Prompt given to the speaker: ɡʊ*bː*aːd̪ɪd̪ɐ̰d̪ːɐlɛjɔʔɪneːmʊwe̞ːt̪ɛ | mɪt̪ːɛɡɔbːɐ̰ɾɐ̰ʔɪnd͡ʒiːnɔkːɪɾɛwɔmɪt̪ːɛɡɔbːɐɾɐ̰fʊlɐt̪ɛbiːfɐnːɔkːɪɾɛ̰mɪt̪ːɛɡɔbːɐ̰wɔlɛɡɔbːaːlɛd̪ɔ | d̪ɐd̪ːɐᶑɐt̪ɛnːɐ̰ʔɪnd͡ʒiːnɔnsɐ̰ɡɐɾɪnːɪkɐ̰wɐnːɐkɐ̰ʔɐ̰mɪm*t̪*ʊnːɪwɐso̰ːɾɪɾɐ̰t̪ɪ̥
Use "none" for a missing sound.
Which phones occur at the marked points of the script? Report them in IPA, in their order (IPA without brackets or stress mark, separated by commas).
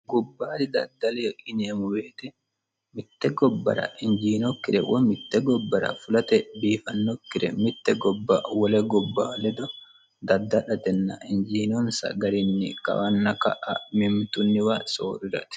bː, t̪